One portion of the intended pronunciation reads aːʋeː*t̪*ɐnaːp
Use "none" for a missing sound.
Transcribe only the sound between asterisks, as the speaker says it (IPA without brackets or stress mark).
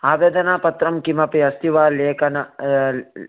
d̪